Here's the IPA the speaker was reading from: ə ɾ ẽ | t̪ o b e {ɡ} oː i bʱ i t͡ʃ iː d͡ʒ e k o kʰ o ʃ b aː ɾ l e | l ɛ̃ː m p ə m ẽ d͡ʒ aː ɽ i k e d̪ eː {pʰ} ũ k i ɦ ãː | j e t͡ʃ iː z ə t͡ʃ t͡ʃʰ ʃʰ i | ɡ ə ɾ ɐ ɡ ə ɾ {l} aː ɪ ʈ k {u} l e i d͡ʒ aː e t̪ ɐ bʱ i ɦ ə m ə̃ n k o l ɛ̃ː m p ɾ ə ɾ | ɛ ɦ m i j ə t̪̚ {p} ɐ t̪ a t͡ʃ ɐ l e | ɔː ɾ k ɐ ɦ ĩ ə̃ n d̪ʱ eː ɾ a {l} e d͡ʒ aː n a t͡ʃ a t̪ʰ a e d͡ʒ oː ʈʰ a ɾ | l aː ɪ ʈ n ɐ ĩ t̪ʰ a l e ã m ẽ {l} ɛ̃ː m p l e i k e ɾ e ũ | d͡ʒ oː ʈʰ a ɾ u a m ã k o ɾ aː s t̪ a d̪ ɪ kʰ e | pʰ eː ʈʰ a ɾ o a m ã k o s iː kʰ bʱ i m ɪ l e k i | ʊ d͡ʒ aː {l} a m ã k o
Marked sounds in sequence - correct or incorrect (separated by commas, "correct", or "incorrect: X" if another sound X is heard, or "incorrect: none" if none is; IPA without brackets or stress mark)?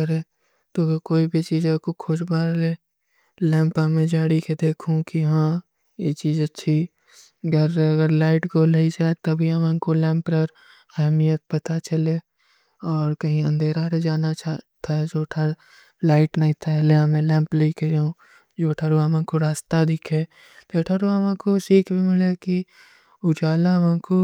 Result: incorrect: k, incorrect: kʰ, correct, incorrect: o, correct, incorrect: ɾ, correct, correct